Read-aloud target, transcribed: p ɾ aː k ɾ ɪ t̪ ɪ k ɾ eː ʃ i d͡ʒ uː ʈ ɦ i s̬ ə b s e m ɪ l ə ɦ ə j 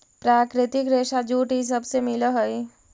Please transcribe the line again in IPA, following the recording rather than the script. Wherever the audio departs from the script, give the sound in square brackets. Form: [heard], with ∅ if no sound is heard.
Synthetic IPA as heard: p ɾ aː k ɾ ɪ t̪ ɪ k ɾ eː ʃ [a] d͡ʒ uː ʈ ɦ i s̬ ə b s e m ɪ l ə ɦ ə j